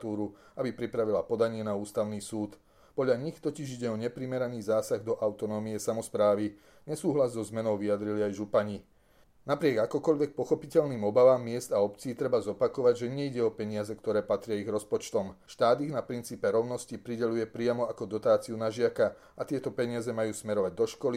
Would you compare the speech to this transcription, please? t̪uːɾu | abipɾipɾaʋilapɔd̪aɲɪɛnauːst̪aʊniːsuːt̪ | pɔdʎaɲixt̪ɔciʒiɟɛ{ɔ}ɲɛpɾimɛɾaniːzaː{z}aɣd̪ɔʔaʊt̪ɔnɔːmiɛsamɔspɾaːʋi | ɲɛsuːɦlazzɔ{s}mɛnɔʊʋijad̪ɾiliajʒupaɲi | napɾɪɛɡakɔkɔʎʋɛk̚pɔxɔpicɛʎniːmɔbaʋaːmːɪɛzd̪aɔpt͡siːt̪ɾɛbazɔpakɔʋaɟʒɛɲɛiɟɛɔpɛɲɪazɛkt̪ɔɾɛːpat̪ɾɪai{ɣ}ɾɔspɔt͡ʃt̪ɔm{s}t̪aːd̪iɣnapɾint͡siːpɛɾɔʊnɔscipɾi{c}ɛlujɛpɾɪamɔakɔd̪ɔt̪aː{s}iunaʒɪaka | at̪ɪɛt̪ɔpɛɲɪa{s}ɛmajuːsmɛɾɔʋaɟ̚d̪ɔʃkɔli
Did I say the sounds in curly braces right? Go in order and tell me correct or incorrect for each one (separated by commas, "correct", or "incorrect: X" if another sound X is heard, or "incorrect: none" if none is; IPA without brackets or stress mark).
correct, incorrect: s, incorrect: z, correct, incorrect: ʃ, incorrect: ɟ, incorrect: t͡s, incorrect: z